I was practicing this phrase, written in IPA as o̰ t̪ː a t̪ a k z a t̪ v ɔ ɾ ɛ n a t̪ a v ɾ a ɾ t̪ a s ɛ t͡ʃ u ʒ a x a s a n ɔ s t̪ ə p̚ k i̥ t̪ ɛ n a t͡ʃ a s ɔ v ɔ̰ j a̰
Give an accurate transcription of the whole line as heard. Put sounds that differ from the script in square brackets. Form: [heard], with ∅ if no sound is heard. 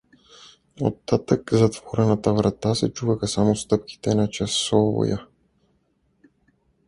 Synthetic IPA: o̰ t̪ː a t̪ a k z a t̪ v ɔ ɾ ɛ n a t̪ a v ɾ a [∅] t̪ a s ɛ t͡ʃ u [v] a x a s a [m] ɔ s t̪ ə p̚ k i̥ t̪ ɛ n a t͡ʃ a s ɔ v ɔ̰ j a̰